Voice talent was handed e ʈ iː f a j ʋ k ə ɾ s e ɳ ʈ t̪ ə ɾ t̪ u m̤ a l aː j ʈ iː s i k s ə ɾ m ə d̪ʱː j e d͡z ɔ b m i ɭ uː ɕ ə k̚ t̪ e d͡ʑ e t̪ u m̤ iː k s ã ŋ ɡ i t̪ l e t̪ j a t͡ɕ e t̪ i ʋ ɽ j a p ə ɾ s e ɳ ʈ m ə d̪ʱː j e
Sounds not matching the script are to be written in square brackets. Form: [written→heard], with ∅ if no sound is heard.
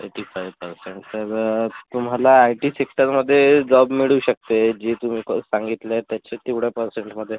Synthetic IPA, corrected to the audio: e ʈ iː f a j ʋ [k→p] ə ɾ s e ɳ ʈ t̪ ə ɾ t̪ u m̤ a l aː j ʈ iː s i k s ə ɾ m ə d̪ʱː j e d͡z ɔ b m i ɭ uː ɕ ə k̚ t̪ e d͡ʑ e t̪ u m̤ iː k s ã ŋ ɡ i t̪ l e t̪ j a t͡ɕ e t̪ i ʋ ɽ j a p ə ɾ s e ɳ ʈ m ə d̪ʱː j e